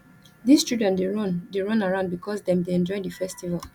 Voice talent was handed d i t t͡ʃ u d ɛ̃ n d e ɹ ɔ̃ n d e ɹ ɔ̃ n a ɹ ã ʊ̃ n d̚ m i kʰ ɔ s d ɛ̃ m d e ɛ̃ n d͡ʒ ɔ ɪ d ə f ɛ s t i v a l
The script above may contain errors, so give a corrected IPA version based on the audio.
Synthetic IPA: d i s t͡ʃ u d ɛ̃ n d e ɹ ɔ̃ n d e ɹ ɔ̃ n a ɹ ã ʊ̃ n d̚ b i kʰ ɔ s d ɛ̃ m d e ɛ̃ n d͡ʒ ɔ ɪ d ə f ɛ s t i v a l